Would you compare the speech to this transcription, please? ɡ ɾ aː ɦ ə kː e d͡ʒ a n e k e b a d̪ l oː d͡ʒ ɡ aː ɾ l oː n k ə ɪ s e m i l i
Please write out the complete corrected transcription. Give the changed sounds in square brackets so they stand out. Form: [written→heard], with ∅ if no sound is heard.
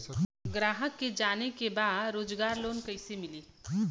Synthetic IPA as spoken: ɡ ɾ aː ɦ ə kː e d͡ʒ a n e k e b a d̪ [l→ɾ] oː d͡ʒ ɡ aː ɾ l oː n k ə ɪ s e m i l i